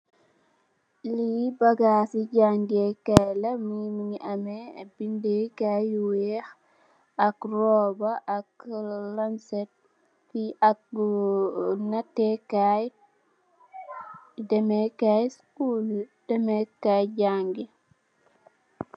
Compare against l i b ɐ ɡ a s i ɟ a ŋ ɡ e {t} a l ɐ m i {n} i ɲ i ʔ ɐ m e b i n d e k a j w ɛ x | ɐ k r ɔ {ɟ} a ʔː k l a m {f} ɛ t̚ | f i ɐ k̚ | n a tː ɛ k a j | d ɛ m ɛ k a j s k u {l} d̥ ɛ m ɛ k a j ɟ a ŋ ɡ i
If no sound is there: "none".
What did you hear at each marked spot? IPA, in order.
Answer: k, m, b, s, l

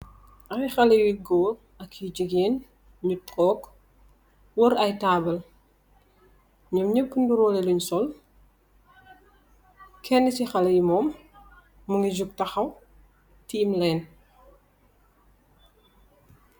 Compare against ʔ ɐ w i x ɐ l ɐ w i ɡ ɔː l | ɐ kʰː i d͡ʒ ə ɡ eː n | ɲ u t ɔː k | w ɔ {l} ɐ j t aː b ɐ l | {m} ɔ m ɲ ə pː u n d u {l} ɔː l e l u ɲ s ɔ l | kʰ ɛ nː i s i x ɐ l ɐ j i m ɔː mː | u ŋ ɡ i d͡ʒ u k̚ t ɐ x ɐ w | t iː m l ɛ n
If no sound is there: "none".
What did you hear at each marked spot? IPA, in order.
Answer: ɾ, ɲ, ɾ

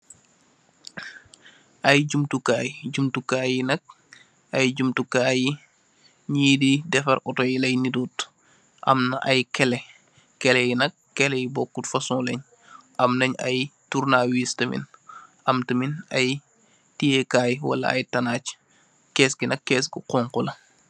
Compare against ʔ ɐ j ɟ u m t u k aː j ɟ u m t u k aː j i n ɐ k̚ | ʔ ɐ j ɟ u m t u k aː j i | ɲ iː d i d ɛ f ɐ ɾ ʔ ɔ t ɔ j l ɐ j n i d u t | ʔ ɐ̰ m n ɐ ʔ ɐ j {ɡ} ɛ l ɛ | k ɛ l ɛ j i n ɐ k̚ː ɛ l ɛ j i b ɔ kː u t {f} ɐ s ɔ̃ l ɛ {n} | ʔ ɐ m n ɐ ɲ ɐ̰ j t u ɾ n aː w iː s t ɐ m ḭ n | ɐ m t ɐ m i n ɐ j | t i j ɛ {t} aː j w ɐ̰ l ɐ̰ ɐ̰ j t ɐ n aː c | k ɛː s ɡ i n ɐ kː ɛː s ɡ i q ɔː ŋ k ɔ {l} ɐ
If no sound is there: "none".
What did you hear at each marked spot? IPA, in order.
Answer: k, f, ɲ, k, l

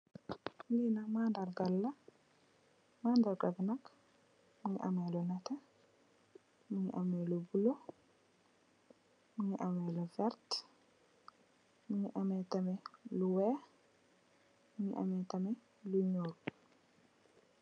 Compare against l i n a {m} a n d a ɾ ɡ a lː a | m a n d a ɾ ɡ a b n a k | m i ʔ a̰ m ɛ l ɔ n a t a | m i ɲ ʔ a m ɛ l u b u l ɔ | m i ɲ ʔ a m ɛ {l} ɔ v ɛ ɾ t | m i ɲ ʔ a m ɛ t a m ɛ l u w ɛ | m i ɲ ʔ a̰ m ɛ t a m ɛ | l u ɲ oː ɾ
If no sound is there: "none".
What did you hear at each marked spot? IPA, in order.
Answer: m, l

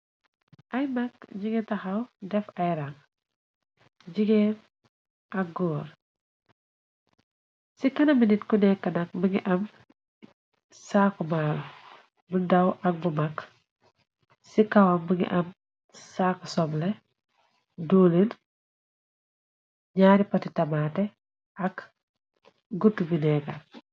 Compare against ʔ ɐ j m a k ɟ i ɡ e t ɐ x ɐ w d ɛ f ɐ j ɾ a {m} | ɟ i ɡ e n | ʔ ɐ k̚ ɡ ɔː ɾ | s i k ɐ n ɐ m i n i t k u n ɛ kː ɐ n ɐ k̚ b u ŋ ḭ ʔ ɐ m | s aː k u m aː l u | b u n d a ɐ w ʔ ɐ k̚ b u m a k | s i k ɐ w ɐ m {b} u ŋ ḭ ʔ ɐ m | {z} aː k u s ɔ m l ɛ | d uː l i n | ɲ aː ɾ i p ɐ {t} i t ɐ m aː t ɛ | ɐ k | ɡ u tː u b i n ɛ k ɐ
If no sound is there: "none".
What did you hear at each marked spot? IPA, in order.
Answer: ŋ, b, s, t

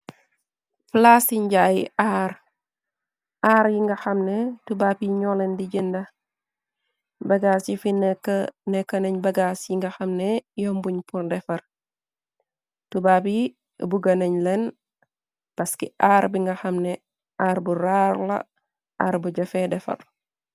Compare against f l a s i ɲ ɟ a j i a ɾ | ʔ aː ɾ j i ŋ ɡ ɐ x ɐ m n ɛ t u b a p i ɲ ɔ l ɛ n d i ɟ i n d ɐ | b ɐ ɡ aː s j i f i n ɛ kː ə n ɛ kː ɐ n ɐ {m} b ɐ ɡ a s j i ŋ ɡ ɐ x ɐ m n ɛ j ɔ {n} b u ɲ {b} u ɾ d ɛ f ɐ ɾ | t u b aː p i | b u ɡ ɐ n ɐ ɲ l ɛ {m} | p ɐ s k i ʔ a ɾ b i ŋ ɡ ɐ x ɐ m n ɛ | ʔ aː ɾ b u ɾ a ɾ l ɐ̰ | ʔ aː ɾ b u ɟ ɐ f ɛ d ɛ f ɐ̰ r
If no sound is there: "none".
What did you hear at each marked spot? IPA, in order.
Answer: ɲ, m, p, n

